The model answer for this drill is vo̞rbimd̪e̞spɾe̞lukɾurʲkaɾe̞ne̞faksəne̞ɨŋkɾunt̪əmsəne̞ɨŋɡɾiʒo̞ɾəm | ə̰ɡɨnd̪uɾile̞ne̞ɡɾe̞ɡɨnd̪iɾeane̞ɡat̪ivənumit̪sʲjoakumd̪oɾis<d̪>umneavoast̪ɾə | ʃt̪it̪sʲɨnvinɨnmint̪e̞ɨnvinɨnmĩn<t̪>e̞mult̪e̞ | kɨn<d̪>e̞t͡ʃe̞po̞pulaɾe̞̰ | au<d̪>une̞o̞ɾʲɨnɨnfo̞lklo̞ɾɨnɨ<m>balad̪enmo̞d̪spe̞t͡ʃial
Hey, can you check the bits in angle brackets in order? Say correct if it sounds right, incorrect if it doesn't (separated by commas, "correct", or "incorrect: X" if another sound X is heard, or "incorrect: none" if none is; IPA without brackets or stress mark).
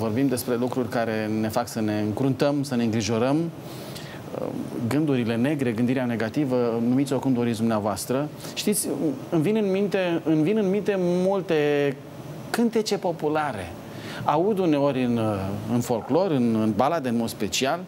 correct, correct, incorrect: t̪, correct, incorrect: n